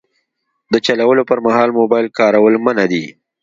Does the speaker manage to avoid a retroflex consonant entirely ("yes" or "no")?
yes